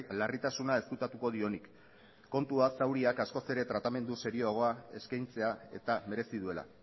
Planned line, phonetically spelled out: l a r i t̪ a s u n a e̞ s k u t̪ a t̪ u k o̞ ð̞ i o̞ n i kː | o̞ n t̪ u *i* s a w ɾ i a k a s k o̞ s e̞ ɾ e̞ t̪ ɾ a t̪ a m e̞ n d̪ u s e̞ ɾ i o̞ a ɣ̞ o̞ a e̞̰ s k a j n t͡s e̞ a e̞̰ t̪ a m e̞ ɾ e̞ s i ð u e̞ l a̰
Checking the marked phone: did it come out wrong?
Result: yes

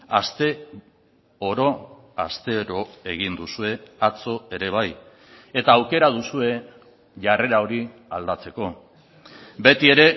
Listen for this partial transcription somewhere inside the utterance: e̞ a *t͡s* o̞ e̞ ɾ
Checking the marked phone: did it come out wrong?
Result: no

